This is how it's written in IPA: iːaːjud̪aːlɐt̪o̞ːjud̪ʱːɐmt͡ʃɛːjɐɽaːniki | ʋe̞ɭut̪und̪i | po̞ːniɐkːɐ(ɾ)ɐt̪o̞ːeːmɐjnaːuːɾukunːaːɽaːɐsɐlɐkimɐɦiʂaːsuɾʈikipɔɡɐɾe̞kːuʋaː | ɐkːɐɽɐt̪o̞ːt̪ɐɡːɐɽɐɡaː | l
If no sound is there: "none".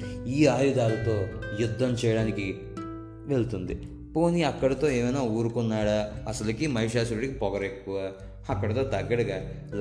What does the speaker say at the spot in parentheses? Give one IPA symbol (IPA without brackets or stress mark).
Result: ɽ